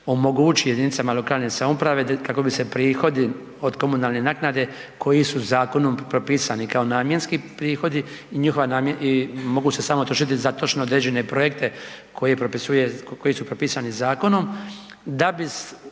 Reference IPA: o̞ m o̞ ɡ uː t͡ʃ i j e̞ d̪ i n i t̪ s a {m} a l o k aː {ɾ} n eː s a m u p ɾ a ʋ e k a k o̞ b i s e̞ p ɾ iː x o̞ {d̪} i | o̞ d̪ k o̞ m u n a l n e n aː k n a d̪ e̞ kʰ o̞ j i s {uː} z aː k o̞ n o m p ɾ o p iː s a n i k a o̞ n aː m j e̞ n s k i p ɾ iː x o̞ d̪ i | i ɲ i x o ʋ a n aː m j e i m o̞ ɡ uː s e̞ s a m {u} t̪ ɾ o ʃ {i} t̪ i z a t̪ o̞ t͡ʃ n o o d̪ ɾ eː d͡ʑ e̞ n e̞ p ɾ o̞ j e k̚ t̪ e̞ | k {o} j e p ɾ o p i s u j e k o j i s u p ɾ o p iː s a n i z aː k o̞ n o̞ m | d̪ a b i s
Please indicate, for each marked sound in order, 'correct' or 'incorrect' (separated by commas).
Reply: correct, incorrect, correct, incorrect, incorrect, correct, correct